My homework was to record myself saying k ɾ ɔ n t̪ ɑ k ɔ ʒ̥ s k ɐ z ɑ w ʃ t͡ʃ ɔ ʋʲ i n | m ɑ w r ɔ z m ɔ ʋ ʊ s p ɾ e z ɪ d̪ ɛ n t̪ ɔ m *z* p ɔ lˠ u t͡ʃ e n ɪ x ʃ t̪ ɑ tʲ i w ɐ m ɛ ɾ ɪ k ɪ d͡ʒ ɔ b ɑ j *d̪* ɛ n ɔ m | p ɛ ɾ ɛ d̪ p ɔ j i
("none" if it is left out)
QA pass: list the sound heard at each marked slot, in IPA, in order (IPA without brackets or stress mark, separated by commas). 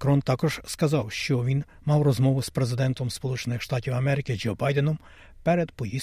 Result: s, d̪